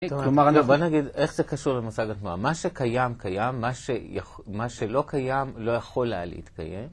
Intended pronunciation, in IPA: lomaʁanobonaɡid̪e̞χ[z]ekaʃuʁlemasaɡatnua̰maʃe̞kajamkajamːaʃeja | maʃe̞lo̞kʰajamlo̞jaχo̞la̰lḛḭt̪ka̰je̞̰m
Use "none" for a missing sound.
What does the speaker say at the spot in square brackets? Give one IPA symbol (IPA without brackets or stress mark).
z